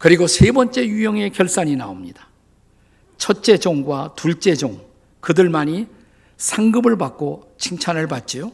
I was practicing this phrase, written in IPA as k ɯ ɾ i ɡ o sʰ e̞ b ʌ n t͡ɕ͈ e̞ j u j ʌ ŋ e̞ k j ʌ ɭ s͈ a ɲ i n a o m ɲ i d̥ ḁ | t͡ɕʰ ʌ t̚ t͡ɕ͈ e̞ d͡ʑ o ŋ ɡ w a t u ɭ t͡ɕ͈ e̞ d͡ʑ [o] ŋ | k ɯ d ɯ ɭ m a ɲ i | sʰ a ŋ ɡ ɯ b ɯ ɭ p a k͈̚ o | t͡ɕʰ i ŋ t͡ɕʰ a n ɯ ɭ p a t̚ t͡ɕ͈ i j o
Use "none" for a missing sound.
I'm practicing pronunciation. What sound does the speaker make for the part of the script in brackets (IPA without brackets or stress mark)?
o